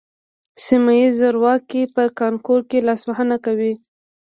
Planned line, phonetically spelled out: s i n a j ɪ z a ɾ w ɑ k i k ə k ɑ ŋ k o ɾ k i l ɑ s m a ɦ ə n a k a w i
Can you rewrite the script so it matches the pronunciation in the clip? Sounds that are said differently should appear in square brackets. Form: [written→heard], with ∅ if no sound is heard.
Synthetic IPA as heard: s i [n→m] a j [ɪ→i] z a ɾ w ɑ k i [k→p] ə k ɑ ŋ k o ɾ k [i→e] l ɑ s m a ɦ ə n a k a w i